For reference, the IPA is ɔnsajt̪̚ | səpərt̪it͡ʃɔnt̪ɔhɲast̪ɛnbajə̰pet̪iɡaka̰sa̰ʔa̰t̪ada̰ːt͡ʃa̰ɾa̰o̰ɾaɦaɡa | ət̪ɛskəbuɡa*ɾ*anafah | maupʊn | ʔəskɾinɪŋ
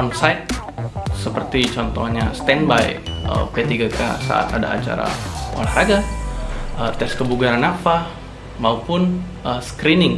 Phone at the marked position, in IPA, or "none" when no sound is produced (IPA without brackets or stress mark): ɾ